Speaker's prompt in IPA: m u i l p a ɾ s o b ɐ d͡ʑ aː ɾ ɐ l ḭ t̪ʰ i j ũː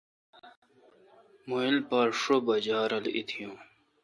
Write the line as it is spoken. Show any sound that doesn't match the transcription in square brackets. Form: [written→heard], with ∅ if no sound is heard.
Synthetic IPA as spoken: m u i l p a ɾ [s→ʂ] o b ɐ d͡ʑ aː ɾ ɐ l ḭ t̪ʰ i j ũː